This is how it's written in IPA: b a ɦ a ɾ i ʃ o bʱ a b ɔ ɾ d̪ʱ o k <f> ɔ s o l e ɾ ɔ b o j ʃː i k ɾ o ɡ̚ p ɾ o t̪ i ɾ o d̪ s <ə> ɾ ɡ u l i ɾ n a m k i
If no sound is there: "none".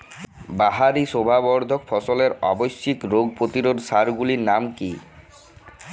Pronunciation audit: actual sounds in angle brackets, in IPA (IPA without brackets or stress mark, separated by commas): f, a